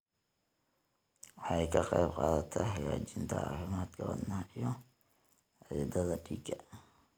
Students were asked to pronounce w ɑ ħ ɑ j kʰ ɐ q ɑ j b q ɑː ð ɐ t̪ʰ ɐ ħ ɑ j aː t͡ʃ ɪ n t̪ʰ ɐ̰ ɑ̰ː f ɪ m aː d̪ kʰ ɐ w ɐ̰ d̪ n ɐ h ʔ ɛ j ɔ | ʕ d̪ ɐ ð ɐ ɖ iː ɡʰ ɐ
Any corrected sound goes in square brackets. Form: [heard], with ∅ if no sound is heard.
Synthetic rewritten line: w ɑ ħ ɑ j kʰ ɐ q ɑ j b q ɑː ð ɐ t̪ʰ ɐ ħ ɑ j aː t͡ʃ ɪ n t̪ʰ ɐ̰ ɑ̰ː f ɪ m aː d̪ kʰ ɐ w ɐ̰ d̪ n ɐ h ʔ [i] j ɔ | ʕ d̪ ɐ ð ɐ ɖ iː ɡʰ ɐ

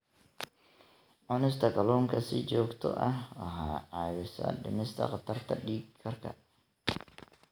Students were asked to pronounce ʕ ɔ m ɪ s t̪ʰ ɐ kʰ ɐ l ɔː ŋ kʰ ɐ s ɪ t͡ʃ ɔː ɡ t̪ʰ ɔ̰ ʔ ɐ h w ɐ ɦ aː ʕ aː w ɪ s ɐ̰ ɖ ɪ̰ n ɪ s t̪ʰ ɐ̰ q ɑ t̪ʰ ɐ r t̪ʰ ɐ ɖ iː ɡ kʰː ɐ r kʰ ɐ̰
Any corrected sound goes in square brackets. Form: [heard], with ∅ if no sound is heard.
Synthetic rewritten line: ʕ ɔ [n] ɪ s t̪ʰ ɐ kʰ ɐ l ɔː ŋ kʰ ɐ s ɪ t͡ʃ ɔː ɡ t̪ʰ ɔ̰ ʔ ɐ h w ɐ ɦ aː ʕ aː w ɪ s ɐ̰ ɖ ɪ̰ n ɪ s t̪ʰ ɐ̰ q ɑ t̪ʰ ɐ r t̪ʰ ɐ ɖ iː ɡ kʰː ɐ r kʰ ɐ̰

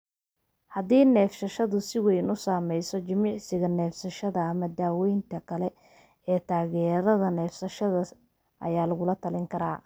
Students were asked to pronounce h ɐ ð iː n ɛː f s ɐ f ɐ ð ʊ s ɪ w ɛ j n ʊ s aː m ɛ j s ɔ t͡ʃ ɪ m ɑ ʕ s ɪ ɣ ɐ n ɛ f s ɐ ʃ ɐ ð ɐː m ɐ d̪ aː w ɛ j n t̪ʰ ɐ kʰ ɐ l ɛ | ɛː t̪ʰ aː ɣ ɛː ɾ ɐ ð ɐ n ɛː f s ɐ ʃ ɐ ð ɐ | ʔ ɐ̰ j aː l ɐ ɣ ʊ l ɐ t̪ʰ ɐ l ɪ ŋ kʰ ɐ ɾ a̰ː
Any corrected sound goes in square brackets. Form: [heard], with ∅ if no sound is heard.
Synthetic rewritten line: h ɐ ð iː n ɛː f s ɐ [ʃ] ɐ ð ʊ s ɪ w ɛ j n ʊ s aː m ɛ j s ɔ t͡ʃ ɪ m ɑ ʕ s ɪ ɣ ɐ n [ɛː] f s ɐ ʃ ɐ ð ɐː m ɐ d̪ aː w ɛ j n t̪ʰ ɐ kʰ ɐ l ɛ | ɛː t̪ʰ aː ɣ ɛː ɾ ɐ ð ɐ n ɛː f s ɐ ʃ ɐ ð ɐ | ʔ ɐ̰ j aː l ɐ ɣ ʊ l ɐ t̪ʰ ɐ l ɪ ŋ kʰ ɐ ɾ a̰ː

